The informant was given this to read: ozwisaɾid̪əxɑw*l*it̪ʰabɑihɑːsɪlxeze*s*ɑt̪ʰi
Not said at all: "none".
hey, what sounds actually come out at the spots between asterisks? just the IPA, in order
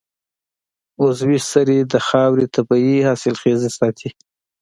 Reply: ɾ, s

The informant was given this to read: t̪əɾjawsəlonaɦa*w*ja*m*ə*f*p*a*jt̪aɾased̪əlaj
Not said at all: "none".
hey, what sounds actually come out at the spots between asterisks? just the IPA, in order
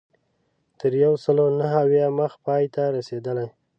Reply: w, m, x, ɑ

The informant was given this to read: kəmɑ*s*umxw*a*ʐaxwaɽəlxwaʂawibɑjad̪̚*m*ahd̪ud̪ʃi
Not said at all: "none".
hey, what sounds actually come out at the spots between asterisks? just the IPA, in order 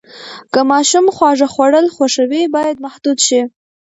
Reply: ʃ, ɑ, m

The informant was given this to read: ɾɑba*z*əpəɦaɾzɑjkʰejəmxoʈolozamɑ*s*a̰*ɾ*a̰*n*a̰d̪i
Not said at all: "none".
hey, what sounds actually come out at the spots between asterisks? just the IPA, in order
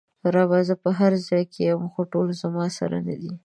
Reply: z, s, ɾ, n

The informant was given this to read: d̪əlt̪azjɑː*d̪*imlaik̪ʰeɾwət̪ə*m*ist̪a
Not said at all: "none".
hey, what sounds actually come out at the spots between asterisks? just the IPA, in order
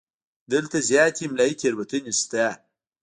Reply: t̪, n

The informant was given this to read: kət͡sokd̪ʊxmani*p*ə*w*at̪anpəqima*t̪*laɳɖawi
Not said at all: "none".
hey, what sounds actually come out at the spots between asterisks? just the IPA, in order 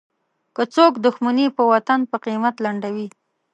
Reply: p, w, t̪

